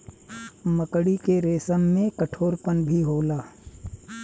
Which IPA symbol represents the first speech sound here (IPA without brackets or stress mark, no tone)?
m